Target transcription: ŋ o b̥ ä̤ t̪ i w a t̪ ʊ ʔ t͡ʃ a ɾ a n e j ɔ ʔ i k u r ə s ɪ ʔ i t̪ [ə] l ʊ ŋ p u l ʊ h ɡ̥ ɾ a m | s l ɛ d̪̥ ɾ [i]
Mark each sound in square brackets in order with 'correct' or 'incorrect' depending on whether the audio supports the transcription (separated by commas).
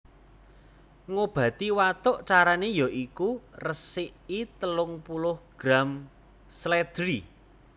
correct, correct